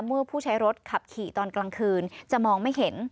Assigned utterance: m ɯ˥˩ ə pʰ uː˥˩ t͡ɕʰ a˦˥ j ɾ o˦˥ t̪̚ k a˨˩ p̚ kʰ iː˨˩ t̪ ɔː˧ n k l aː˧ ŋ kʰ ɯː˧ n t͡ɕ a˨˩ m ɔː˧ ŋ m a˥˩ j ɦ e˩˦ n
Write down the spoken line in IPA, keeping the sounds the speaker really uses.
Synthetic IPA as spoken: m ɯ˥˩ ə pʰ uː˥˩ t͡ɕʰ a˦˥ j ɾ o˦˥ t̪̚ kʰ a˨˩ p̚ kʰ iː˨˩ t̪ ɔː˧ n k l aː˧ ŋ kʰ ɯː˧ n t͡ɕ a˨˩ m ɔː˧ ŋ m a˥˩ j ɦ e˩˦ n